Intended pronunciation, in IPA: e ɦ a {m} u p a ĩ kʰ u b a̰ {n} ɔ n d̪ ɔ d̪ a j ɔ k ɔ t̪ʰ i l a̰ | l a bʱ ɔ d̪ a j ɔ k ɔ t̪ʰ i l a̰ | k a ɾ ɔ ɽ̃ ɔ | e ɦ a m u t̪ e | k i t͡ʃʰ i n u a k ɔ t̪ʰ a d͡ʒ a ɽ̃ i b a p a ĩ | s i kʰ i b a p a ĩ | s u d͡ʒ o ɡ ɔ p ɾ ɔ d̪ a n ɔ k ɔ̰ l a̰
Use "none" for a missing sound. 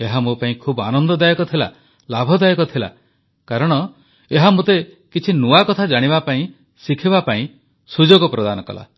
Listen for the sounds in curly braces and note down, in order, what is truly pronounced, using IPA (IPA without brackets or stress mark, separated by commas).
m, n